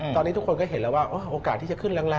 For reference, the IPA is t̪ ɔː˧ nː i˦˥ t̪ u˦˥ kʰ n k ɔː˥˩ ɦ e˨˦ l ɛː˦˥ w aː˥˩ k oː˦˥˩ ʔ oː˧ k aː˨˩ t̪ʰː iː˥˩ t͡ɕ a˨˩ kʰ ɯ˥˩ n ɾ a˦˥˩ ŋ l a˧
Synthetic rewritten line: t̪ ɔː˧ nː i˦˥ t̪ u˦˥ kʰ n k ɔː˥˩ ɦ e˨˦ l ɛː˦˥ w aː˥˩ ʔ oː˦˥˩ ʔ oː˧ k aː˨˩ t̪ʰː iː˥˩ t͡ɕ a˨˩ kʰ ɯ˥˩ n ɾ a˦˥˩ ŋ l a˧